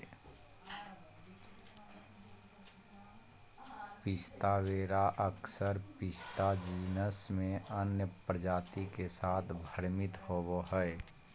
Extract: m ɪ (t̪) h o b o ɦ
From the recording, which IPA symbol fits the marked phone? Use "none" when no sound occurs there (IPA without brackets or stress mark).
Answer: t̪